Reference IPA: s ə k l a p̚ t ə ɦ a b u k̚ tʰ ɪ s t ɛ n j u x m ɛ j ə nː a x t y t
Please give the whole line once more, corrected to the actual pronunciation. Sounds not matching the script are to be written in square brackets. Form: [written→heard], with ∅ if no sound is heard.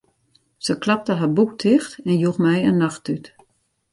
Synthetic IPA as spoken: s ə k l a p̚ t ə ɦ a b u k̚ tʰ ɪ [s→x] t ɛ n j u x m ɛ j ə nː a x t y t